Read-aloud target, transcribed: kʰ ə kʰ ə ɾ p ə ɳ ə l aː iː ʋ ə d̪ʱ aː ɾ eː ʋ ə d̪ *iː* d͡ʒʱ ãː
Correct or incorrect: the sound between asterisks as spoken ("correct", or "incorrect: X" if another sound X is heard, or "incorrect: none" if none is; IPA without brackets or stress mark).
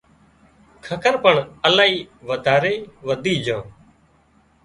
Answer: correct